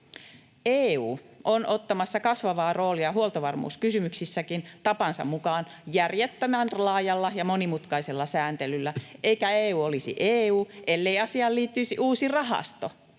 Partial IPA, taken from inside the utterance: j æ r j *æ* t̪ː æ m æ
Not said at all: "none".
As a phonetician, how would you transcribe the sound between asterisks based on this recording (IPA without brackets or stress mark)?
e